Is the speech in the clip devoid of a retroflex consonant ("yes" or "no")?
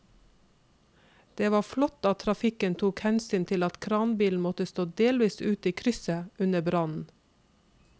yes